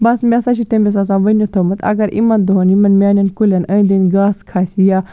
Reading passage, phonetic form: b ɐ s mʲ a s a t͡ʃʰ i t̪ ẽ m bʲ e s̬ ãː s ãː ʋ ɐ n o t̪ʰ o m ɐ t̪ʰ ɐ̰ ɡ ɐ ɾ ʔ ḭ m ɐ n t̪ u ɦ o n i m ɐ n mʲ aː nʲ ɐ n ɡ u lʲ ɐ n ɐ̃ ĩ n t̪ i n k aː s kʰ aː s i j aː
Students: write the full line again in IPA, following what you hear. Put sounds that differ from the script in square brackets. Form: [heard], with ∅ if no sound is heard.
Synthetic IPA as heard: b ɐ s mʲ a s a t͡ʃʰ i t̪ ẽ m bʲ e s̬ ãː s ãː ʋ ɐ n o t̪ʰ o m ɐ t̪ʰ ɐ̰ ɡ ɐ ɾ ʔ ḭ m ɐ n [d̪] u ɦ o n i m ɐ n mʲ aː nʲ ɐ n [k] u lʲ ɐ n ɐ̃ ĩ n [d̪] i n [ɡ] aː s kʰ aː s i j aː